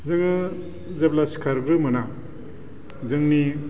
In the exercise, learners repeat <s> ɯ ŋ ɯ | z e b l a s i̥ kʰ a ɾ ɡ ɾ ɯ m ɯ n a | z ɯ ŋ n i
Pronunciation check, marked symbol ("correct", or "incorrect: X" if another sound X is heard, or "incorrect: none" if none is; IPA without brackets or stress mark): incorrect: z